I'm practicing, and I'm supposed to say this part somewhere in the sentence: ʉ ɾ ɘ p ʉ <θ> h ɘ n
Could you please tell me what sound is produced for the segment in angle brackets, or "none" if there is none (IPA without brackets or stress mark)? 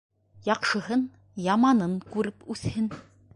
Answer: θ